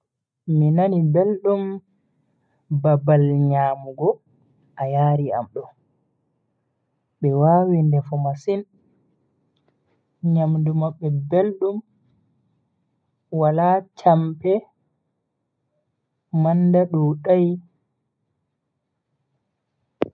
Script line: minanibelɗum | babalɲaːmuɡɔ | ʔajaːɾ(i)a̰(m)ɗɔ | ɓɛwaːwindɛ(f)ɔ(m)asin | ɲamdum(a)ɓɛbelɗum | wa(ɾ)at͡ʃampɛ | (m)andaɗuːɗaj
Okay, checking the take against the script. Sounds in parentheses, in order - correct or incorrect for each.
correct, correct, correct, correct, correct, incorrect, correct

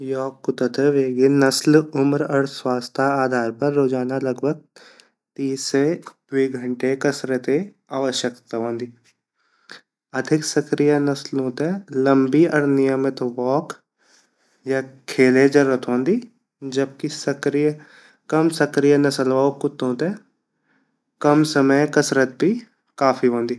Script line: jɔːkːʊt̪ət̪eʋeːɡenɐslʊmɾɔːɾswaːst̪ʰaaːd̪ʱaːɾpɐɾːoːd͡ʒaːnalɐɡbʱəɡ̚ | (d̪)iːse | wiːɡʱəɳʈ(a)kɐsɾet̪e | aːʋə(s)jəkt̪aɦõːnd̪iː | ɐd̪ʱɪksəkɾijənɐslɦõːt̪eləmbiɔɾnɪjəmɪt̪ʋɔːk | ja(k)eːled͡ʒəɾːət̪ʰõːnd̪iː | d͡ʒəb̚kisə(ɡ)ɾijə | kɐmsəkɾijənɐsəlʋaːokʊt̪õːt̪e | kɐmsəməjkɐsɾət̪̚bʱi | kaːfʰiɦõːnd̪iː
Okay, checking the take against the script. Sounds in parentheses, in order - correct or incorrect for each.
incorrect, incorrect, incorrect, incorrect, incorrect

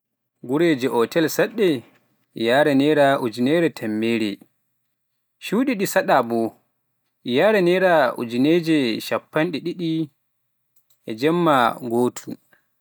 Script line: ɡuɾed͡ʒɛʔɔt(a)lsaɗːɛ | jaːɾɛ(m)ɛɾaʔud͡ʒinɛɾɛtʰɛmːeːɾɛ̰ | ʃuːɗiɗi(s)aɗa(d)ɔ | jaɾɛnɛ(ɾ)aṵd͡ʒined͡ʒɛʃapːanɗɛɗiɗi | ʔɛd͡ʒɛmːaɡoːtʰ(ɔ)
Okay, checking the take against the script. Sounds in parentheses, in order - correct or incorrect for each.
incorrect, incorrect, correct, incorrect, correct, incorrect

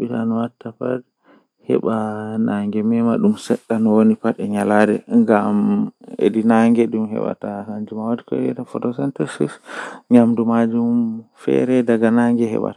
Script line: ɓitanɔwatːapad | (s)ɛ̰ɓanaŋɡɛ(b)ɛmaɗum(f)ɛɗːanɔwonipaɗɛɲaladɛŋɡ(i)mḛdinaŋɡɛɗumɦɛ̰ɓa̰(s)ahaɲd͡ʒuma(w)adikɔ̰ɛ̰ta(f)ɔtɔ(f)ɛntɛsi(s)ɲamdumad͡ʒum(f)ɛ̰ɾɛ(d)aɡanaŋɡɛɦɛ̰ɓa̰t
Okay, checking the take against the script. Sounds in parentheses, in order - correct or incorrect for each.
incorrect, incorrect, incorrect, incorrect, incorrect, correct, correct, incorrect, correct, correct, correct

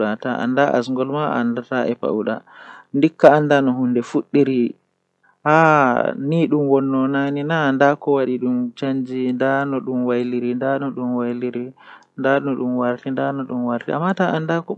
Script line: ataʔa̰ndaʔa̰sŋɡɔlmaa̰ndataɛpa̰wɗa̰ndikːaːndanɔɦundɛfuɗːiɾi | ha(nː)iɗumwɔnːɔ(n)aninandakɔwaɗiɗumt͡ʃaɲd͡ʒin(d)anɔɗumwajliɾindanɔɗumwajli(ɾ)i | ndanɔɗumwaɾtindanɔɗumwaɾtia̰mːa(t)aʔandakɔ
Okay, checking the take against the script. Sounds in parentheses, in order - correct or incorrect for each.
incorrect, correct, correct, correct, correct

